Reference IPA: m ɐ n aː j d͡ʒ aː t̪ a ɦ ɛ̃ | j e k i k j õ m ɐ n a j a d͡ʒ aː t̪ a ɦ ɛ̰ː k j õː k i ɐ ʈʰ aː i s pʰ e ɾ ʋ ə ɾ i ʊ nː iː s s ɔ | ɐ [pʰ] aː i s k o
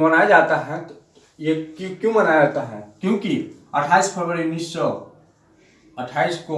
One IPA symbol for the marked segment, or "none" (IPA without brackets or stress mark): ʈʰ